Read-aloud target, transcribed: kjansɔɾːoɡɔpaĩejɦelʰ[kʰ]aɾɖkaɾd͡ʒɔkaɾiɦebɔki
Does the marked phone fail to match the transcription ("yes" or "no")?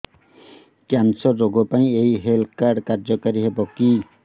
yes